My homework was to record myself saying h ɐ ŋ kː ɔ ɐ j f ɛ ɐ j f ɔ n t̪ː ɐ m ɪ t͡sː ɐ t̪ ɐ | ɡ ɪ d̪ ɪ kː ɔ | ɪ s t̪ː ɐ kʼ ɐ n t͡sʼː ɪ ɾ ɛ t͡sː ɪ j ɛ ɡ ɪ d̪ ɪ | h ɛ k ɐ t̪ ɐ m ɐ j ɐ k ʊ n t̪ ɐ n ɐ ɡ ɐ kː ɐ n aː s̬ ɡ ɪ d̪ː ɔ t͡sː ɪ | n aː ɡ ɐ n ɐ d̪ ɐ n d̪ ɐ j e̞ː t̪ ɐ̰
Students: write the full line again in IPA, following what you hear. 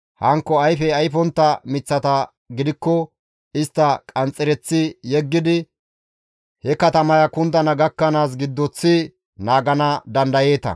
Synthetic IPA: h ɐ ŋ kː ɔ ɐ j f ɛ ɐ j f ɔ n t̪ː ɐ m ɪ t͡sː ɐ t̪ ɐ | ɡ ɪ d̪ ɪ kː ɔ | ɪ s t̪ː ɐ kʼ ɐ n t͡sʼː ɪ ɾ ɛ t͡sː ɪ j ɛ ɡː ɪ d̪ ɪ | h ɛ k ɐ t̪ ɐ m ɐ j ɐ k ʊ n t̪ ɐ n ɐ ɡ ɐ kː ɐ n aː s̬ ɡ ɪ d̪ː ɔ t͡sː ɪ | n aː ɡ ɐ n ɐ d̪ ɐ n d̪ ɐ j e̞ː t̪ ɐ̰

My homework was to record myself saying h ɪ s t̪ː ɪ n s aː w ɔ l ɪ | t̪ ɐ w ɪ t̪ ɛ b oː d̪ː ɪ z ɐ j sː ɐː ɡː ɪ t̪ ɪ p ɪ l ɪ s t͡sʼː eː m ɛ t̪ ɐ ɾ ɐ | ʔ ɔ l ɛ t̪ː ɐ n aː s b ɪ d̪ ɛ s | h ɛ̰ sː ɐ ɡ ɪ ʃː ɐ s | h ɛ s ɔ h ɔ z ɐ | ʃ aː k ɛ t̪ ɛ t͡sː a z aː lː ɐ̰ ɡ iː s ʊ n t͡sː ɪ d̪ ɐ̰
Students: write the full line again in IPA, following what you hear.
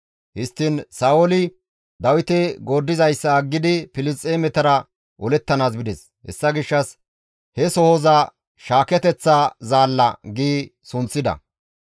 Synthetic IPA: h ɪ s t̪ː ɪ n s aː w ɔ l ɪ | d̪ ɐ w ɪ t̪ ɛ ɡ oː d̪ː ɪ z ɐ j sː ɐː ɡː ɪ d̪ ɪ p ɪ l ɪ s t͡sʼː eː m ɛ t̪ ɐ ɾ ɐ | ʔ ɔ l ɛ t̪ː ɐ n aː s b ɪ d̪ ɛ s | h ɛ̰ sː ɐ ɡ ɪ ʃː ɐ s | h ɛ s ɔ h ɔ z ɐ | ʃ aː k ɛ t̪ ɛ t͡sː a z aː lː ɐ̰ ɡ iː s ʊ n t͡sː ɪ d̪ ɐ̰

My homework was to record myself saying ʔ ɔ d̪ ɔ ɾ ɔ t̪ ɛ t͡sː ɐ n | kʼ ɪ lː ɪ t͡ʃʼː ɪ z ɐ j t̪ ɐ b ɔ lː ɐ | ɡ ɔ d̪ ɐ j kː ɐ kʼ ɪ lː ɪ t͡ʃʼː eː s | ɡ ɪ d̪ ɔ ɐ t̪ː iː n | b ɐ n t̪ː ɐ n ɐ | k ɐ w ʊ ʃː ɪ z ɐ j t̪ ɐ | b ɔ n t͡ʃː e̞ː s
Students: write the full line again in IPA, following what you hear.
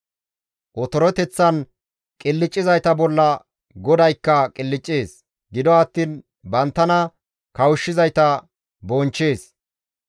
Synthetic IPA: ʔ ɔ t̪ ɔ ɾ ɔ t̪ ɛ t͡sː ɐ n | kʼ ɪ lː ɪ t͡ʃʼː ɪ z ɐ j t̪ ɐ b ɔ lː ɐ | ɡ ɔ d̪ ɐ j kː ɐ kʼ ɪ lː ɪ t͡ʃʼː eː s | ɡ ɪ d̪ ɔ ɐ t̪ː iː n | b ɐ n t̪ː ɐ n ɐ | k ɐ w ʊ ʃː ɪ z ɐ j t̪ ɐ | b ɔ n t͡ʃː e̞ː s

